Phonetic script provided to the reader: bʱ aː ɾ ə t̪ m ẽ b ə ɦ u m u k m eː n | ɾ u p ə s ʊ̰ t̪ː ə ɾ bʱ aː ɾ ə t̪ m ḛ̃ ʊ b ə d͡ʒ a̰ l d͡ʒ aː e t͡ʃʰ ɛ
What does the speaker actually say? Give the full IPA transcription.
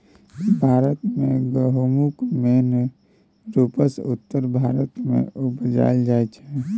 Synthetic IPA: bʱ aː ɾ ə t̪ m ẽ ɡ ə ɦ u m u k m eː n | ɾ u p ə s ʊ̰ t̪ː ə ɾ bʱ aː ɾ ə t̪ m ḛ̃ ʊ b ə d͡ʒ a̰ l d͡ʒ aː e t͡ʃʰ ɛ